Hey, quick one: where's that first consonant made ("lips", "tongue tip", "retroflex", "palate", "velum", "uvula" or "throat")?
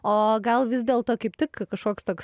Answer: velum